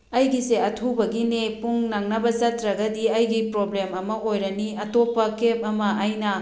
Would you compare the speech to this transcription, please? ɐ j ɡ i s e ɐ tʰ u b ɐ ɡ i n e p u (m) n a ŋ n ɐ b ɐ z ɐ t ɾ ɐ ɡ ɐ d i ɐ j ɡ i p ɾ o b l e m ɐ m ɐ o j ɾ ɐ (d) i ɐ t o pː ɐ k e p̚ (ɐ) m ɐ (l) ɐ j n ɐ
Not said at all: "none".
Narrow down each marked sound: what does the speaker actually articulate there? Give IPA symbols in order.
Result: ŋ, n, ɐ, none

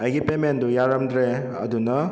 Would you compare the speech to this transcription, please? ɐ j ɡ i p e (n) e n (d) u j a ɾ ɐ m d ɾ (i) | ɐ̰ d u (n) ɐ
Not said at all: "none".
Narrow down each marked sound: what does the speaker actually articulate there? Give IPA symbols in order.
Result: m, d, e, n

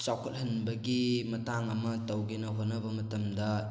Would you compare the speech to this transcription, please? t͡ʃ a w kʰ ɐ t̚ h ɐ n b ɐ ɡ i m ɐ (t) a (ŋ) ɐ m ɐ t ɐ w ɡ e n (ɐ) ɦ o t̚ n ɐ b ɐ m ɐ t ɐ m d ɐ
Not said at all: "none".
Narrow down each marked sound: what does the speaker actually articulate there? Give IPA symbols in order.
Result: t, ŋ, ɐ

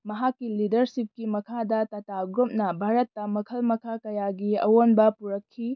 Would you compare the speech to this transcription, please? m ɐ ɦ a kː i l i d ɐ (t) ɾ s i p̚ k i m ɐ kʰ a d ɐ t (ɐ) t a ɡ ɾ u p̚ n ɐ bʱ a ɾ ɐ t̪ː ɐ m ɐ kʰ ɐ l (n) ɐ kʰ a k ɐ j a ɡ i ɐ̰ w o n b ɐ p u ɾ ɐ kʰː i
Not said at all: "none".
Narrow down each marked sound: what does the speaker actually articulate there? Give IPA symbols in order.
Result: none, ɐ, m

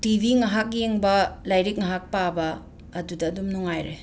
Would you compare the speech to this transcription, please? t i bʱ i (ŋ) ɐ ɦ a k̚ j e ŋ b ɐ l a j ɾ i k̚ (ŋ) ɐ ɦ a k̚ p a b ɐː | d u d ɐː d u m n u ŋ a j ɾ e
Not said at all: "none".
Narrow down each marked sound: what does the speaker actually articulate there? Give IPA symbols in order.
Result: ŋ, ŋ

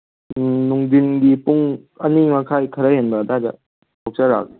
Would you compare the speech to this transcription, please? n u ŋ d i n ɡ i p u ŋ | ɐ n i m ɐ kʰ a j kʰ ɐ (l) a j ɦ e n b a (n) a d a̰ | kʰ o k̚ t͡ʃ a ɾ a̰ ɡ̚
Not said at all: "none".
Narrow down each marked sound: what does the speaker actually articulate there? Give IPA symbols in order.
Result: ɾ, d

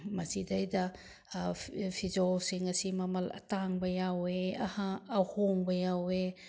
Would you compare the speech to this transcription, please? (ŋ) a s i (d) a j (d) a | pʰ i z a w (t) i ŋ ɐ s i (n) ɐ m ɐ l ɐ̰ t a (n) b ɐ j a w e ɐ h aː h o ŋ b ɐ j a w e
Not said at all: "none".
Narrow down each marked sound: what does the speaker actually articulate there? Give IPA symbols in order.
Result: m, d, d, s, m, ŋ

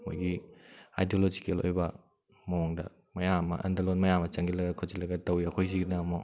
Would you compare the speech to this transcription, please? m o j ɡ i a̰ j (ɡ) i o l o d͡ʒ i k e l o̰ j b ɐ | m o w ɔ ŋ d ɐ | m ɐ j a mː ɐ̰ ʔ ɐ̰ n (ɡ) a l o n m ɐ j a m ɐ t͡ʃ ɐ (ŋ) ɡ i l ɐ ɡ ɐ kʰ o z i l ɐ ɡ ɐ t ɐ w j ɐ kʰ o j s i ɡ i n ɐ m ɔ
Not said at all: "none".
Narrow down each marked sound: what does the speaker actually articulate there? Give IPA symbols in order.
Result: d, d, ŋ

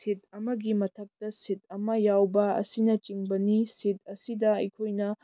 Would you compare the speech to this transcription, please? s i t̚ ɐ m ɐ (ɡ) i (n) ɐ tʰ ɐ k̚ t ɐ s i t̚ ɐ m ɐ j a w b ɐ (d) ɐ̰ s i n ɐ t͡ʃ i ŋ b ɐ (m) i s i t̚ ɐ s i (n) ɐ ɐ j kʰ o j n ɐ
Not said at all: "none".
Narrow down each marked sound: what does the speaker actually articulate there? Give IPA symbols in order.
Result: ɡ, m, none, n, d

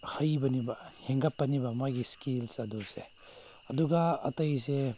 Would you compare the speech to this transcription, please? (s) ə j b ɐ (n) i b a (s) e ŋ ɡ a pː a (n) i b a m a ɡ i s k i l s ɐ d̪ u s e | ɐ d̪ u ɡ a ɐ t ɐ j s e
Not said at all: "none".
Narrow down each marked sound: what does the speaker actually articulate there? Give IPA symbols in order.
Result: h, n, h, n

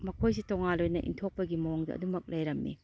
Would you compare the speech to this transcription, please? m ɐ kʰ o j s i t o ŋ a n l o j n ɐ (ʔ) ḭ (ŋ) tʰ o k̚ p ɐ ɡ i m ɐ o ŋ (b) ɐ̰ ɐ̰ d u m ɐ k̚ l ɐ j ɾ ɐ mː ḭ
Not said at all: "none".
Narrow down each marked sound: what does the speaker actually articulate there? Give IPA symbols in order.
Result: ʔ, n, d

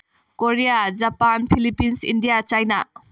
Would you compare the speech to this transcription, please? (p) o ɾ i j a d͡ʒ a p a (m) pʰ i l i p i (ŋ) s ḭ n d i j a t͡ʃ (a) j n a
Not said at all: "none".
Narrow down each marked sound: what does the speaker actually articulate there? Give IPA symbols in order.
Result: k, n, n, a

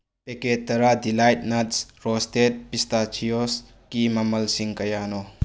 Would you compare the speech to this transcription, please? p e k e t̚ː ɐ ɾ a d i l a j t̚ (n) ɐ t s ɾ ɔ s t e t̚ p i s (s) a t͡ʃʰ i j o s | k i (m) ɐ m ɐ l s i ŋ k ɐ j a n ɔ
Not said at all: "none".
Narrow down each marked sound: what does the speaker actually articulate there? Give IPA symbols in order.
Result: n, t, m

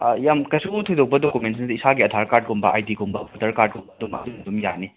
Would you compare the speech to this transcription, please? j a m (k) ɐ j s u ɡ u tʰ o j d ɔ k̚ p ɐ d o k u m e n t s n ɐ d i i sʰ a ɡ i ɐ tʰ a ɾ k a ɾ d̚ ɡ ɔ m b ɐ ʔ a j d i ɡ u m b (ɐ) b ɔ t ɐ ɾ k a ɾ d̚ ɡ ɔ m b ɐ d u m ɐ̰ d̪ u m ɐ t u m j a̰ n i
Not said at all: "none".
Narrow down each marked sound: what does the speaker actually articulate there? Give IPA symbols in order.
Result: k, ɐ

